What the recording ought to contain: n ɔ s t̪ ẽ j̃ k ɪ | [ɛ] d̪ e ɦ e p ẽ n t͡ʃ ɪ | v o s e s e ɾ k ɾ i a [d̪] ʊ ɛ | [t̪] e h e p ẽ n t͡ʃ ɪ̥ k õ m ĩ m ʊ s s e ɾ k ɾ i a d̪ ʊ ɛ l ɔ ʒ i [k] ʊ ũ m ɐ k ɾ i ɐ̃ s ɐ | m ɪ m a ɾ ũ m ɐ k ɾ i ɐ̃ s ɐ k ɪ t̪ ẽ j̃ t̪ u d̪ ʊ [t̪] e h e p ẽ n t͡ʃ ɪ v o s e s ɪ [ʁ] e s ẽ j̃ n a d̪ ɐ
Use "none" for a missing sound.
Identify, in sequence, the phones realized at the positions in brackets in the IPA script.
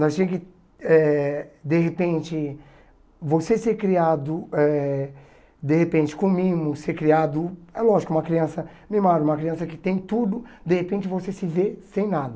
ɛ, d̪, d̪, k, d̪, v

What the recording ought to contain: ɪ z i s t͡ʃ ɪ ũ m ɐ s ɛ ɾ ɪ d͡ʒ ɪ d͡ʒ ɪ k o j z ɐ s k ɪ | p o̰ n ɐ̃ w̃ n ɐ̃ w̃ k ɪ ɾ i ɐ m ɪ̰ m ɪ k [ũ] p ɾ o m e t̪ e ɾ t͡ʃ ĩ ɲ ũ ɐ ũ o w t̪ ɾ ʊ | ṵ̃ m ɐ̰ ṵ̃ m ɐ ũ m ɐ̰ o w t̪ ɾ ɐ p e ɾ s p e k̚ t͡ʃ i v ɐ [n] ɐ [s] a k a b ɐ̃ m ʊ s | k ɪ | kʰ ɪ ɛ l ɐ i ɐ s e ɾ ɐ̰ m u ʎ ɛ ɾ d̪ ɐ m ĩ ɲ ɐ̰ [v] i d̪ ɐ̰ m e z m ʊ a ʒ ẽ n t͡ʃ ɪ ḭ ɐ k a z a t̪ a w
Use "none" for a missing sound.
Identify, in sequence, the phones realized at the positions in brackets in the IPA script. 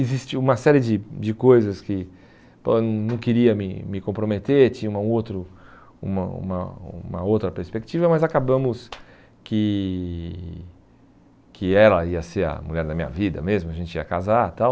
õ, m, z, v

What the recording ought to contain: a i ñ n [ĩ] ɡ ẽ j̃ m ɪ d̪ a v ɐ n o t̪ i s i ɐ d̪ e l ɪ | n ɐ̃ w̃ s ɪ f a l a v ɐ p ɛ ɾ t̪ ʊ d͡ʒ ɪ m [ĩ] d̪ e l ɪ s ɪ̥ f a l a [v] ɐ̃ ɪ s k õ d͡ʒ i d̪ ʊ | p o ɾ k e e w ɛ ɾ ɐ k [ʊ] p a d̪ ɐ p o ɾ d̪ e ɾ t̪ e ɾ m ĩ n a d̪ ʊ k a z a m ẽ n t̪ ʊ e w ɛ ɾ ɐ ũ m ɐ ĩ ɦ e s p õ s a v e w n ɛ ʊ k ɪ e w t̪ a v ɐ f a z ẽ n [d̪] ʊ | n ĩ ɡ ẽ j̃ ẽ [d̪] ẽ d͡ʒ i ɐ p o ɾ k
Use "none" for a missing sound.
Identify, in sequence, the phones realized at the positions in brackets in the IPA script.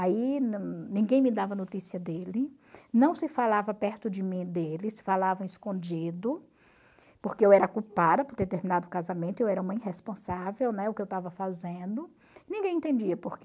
ĩ, ĩ, v, u, d̪, t̪

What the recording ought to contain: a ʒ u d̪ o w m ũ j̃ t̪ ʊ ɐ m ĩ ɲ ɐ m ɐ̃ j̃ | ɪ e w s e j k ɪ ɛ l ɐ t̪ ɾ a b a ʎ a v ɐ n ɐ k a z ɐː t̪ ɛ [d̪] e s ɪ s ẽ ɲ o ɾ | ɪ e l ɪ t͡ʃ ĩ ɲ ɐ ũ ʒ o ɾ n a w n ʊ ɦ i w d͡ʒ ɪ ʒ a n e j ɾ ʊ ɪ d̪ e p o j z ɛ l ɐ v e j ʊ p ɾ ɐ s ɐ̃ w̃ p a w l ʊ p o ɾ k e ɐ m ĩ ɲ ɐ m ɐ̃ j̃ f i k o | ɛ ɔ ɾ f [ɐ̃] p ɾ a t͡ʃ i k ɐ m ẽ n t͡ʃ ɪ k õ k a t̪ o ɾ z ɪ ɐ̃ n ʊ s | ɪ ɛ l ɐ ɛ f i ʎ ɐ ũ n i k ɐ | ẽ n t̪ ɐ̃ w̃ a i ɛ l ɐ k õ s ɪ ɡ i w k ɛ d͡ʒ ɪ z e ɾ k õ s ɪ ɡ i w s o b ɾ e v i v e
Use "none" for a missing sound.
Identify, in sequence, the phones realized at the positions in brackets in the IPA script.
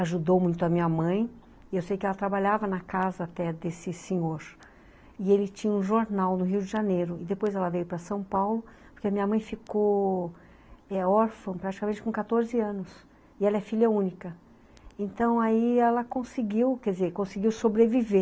d̪, ɐ̃

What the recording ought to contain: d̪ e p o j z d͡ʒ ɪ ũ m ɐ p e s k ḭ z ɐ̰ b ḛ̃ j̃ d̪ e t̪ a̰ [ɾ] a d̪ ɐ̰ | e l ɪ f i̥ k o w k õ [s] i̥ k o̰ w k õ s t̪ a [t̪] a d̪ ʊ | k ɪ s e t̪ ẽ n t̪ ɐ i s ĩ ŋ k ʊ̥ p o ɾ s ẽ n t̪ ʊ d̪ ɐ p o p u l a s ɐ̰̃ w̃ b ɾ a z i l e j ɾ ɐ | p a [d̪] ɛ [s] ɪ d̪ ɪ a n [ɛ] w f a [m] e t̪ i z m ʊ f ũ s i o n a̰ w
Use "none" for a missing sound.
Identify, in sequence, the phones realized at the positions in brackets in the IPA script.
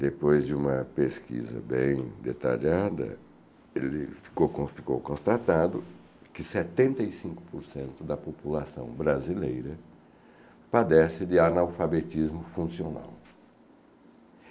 ʎ, f, t̪, d̪, s, a, b

